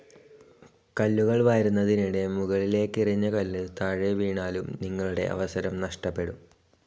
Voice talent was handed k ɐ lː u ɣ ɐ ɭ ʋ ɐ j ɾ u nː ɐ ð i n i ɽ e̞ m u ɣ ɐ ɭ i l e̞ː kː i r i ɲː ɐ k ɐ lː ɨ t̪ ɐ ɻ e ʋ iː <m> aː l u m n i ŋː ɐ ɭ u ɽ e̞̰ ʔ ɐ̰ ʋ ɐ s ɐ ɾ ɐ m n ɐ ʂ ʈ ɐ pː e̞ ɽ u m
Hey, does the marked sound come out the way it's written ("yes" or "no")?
no